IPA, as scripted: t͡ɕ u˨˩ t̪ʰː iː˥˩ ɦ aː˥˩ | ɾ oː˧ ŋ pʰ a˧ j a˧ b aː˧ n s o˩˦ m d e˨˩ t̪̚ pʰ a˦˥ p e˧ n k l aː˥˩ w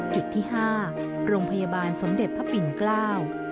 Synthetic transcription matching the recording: t͡ɕ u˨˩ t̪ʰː iː˥˩ ɦ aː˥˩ | ɾ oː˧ ŋ pʰ a˧ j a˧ b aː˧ n s o˩˦ m d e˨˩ t̪̚ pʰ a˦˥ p i˧ n k l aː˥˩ w